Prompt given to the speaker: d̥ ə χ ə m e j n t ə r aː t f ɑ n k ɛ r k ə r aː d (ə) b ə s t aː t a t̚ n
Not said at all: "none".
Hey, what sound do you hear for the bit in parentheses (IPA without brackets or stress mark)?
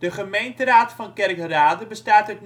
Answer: ə